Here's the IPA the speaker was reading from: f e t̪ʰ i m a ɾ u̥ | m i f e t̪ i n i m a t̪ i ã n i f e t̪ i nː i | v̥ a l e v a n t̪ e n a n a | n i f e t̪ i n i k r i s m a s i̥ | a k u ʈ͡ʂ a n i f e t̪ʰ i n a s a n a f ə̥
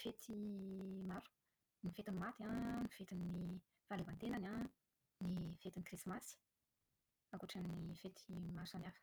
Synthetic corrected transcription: f e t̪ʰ i m a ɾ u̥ | n i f e t̪ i n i m a t̪ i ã n i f e t̪ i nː i | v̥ a l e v a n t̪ e n a n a | n i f e t̪ i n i k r i s m a s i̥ | a k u ʈ͡ʂ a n i f e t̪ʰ i m a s a n a f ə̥